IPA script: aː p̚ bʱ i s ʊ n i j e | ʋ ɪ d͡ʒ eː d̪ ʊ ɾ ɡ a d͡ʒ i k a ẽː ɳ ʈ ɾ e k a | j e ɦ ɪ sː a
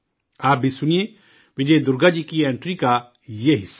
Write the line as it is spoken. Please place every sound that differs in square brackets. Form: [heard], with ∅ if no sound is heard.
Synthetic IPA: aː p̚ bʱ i s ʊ n i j e | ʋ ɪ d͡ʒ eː d̪ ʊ ɾ ɡ a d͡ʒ i k [i] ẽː ɳ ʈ ɾ [i] k a | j e ɦ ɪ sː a